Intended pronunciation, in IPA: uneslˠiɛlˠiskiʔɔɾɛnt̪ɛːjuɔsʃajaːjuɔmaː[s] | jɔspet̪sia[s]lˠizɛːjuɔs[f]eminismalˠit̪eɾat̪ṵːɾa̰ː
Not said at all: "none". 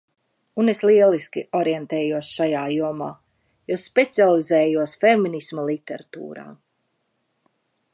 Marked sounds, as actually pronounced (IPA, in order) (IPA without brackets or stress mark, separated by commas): none, none, f